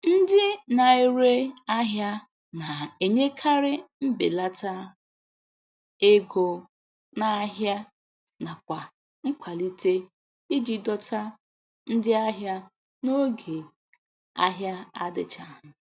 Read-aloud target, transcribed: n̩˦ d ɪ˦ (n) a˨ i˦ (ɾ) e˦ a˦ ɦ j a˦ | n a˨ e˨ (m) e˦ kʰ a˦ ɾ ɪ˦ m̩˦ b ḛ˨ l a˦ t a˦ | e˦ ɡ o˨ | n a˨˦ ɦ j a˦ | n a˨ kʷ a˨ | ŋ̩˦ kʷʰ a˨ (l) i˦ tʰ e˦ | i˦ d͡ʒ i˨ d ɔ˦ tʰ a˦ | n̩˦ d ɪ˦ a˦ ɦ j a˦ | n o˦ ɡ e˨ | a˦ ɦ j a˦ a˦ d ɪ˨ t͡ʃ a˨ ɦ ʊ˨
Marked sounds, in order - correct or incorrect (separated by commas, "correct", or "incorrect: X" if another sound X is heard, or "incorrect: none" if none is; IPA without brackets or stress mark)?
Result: correct, correct, incorrect: ɲ, correct